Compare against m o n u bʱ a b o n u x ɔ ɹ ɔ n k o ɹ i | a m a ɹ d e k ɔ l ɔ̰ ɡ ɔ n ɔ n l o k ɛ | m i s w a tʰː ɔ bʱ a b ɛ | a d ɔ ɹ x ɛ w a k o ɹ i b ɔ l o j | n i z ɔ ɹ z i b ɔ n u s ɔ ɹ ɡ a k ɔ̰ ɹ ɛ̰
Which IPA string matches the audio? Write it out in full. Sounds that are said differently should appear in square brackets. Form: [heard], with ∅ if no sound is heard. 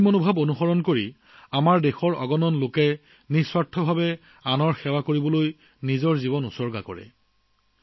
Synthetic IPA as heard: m o n u bʱ a b o n u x ɔ ɹ ɔ n k o ɹ i | a m a ɹ d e [x] ɔ [ɹ] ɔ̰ ɡ ɔ n ɔ n l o k ɛ | [n] i s w a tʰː ɔ bʱ a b ɛ | a [n] ɔ ɹ x ɛ w a k o ɹ i b ɔ l o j | n i z ɔ ɹ z i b ɔ n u s ɔ ɹ ɡ a k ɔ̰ ɹ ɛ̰